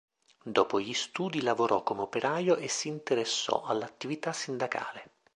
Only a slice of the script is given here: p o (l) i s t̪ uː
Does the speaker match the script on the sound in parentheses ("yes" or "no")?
no